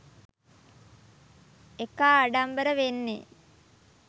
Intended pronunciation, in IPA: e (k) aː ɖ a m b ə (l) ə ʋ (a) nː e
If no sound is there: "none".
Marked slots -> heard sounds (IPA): k, ɾ, e

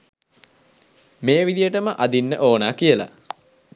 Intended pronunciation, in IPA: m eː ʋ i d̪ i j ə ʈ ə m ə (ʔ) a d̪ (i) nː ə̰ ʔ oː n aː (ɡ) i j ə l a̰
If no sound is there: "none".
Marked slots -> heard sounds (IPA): ʔ, i, k

